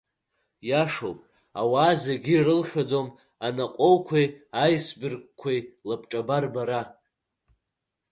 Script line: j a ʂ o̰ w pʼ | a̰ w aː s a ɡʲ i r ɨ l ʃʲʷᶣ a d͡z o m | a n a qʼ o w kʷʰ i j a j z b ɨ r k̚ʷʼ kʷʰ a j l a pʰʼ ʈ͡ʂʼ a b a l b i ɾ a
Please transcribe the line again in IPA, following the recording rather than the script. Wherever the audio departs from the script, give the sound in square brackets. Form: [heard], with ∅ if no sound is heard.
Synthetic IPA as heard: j a ʂ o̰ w pʼ | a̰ w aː [z] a ɡʲ i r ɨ l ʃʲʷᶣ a d͡z o m | a n a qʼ o w kʷʰ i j a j [s] b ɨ r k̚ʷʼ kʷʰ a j l a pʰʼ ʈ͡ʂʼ a b a [r] b [a] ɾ a